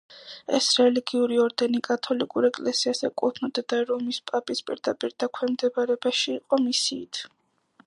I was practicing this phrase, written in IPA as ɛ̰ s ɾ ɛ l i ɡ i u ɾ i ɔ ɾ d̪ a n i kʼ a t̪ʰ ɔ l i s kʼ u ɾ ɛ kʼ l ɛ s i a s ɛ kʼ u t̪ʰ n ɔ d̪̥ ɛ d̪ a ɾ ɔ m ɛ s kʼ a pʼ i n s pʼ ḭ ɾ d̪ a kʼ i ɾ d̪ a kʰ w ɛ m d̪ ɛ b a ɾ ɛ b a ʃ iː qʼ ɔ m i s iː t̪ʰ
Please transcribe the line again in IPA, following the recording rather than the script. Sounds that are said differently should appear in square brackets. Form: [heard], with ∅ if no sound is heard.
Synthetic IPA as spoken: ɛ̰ s ɾ ɛ l i ɡ i u ɾ i ɔ ɾ d̪ [ɛ] n i kʼ a t̪ʰ ɔ l i [∅] kʼ u ɾ ɛ kʼ l ɛ s i a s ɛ kʼ u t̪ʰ n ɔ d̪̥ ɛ d̪ a ɾ ɔ m [i] s [pʼ] a pʼ i [∅] s pʼ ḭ ɾ d̪ a [pʼ] i ɾ d̪ a kʰ w ɛ m d̪ ɛ b a ɾ ɛ b a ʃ iː qʼ ɔ m i s iː t̪ʰ